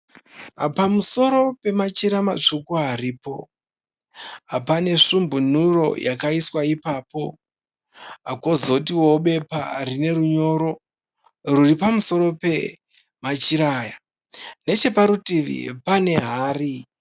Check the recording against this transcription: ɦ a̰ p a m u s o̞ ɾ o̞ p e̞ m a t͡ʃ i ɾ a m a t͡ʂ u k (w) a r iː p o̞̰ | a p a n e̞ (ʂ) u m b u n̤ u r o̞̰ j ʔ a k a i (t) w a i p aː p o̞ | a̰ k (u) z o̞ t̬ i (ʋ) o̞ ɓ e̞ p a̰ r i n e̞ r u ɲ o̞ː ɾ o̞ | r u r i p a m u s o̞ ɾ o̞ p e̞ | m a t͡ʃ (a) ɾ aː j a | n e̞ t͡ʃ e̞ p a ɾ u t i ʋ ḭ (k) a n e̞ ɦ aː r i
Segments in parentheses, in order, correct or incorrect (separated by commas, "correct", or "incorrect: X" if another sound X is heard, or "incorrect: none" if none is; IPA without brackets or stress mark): incorrect: u, correct, incorrect: s, incorrect: o, incorrect: w, incorrect: i, incorrect: p